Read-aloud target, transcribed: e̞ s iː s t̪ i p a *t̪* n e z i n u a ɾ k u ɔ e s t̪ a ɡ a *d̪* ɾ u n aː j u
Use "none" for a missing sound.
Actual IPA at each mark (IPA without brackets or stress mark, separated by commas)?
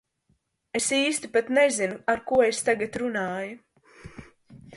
t̪, t̪